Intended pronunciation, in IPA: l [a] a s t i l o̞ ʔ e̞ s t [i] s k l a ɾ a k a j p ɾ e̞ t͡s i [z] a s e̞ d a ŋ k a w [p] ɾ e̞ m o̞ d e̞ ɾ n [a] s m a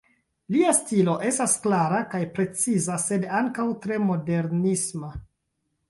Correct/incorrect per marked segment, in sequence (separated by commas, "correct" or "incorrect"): incorrect, incorrect, correct, incorrect, incorrect